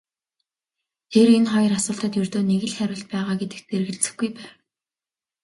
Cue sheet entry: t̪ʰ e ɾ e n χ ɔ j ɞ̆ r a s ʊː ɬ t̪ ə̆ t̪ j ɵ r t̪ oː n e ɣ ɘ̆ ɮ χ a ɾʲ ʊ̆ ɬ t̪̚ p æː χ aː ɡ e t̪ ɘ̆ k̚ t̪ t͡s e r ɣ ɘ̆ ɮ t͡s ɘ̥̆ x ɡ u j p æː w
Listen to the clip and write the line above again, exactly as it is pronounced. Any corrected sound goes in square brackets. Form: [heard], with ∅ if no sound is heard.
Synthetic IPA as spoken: t̪ʰ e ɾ e n χ ɔ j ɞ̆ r a s ʊː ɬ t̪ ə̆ t̪ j ɵ r t̪ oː n e ɣ ɘ̆ ɮ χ [æ] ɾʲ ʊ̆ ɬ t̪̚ p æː [ʁ] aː ɡ e t̪ ɘ̆ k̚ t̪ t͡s e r ɣ ɘ̆ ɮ t͡s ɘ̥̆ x ɡ u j p æː w